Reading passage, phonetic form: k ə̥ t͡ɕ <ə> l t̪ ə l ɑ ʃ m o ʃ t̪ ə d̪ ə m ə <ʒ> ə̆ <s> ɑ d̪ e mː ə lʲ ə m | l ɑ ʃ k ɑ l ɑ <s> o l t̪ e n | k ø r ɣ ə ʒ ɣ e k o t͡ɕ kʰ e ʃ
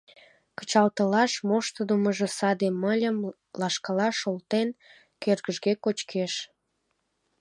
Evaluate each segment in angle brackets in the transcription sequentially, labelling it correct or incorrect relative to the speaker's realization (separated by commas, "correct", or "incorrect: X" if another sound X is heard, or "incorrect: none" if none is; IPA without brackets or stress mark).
incorrect: ɑ, correct, correct, incorrect: ʃ